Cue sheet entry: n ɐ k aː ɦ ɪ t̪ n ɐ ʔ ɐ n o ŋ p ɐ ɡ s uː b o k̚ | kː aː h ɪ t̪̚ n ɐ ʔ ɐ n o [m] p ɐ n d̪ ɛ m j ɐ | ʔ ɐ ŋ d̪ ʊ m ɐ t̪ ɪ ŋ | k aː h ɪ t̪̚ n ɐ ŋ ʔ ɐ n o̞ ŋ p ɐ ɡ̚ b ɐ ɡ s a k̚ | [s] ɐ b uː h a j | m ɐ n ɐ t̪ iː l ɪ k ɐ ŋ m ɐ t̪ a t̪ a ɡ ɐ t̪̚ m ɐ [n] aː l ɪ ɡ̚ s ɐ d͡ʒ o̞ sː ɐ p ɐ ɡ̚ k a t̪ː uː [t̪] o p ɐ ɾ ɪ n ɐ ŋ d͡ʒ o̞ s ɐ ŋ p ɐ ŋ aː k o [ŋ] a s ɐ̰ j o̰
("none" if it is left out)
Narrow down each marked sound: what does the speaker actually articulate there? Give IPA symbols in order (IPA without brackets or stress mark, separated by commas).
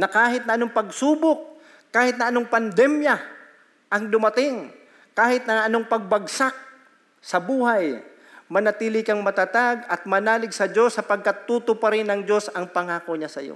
ŋ, s, n, t̪, ɲ